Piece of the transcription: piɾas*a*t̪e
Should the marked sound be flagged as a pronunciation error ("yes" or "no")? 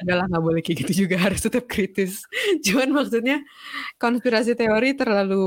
yes